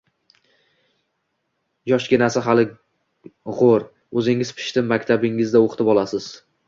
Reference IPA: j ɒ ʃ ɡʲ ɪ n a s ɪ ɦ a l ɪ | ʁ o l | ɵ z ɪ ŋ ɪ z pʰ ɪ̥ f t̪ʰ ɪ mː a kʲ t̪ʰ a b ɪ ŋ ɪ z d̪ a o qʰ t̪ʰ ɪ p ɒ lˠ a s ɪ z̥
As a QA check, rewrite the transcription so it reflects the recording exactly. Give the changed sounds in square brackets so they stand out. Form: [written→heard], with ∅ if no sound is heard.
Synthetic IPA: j ɒ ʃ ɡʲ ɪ n a s ɪ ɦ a l ɪ | ʁ o [l→ɾ] | ɵ z ɪ ŋ ɪ z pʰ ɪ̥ [f→ʃ] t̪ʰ ɪ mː a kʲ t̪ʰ a b ɪ ŋ ɪ z d̪ a o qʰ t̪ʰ ɪ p ɒ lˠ a s ɪ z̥